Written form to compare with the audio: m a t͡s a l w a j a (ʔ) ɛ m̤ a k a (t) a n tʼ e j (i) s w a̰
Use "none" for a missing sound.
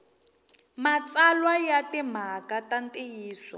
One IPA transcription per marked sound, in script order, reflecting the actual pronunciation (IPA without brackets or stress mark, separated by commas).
t, t, iː